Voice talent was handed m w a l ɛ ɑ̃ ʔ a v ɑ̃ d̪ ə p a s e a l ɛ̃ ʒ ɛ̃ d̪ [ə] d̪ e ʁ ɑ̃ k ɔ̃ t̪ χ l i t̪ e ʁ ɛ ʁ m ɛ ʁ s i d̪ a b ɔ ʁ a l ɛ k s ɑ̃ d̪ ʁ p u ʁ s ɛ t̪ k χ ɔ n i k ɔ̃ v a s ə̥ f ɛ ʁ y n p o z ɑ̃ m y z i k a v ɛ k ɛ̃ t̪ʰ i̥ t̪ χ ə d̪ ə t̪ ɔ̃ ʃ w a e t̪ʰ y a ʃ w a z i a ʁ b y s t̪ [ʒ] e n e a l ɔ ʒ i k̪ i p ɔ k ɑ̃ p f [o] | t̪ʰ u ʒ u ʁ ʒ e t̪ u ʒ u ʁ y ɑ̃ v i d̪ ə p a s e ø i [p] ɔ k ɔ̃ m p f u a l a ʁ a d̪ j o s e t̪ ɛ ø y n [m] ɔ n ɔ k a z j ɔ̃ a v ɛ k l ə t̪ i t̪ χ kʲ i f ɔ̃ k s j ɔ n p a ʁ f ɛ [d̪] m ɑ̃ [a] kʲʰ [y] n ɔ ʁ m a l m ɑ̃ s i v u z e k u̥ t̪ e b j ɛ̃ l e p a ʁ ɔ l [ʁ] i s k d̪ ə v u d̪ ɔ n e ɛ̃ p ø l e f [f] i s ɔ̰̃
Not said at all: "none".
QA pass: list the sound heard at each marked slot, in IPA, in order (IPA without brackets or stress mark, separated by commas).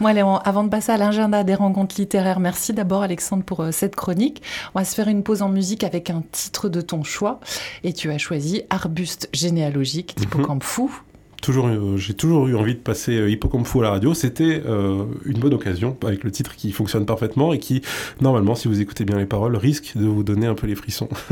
a, ʒ, u, p, b, t̪, e, i, ʁ, χ